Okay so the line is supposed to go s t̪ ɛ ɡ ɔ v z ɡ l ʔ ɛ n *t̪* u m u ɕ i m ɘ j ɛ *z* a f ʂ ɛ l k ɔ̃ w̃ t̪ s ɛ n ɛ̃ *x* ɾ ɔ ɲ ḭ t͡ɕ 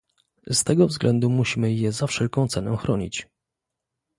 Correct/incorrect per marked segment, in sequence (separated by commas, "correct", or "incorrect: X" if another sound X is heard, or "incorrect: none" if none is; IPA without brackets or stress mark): incorrect: d̪, correct, correct